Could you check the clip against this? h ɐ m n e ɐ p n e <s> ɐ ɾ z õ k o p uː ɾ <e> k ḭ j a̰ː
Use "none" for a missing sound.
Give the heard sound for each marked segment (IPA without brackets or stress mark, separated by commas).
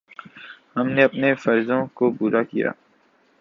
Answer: f, a